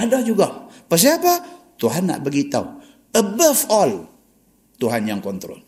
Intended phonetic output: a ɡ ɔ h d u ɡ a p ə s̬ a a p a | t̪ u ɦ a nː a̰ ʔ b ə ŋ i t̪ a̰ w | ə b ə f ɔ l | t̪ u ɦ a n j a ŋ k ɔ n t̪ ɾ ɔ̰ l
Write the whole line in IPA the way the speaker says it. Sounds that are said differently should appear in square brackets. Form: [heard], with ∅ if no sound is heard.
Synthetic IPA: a [d] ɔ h [d͡ʒ] u ɡ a p ə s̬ [i] a p a | t̪ u ɦ a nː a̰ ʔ b ə [ɡ] i t̪ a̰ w | ə b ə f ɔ l | t̪ u ɦ a n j a ŋ k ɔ n t̪ ɾ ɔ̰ l